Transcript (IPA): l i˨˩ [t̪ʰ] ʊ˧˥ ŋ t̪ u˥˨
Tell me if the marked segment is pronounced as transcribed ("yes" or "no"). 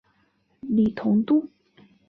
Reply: yes